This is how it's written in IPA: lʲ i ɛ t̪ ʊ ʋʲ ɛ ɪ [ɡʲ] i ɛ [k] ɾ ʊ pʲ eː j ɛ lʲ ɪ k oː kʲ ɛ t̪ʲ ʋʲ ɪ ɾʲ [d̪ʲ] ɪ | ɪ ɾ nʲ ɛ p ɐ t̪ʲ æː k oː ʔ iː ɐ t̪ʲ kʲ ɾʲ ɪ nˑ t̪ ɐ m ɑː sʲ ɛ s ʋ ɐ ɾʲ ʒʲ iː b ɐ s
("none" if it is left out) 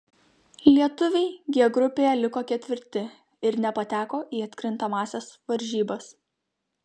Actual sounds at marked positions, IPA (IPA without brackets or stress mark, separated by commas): ɡʲ, ɡ, t̪ʲ